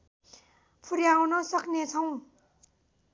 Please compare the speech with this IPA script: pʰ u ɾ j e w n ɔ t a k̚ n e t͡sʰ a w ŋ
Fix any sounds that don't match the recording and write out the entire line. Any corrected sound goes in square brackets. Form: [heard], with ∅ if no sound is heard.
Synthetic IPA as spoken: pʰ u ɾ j [a] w n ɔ [s] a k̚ n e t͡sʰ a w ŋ